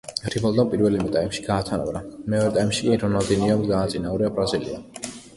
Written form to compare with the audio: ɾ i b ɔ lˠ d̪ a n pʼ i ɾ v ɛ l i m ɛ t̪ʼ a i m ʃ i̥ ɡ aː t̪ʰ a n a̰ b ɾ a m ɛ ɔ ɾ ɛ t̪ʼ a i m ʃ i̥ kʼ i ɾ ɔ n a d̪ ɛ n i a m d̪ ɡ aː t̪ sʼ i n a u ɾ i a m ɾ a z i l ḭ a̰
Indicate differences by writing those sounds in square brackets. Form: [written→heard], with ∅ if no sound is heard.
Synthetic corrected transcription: ɾ i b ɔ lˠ d̪ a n pʼ i ɾ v ɛ l i m ɛ t̪ʼ a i m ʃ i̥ ɡ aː t̪ʰ a n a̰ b ɾ a m ɛ ɔ ɾ ɛ t̪ʼ a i m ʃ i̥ kʼ i ɾ ɔ n a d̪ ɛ n i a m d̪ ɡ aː t̪ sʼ i n a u ɾ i a [m→b] ɾ a z i l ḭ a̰